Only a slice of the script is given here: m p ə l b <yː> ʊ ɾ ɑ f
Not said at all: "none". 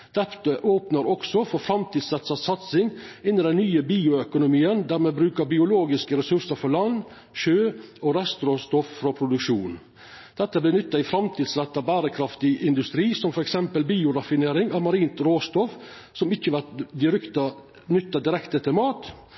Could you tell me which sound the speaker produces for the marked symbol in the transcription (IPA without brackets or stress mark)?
iː